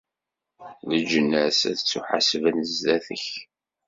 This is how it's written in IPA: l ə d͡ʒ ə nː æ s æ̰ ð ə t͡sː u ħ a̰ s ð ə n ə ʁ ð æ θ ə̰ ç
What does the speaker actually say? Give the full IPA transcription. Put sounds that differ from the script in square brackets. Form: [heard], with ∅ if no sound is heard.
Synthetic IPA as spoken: l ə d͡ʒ ə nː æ s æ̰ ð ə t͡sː u ħ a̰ s [v] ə n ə [z] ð æ θ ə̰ ç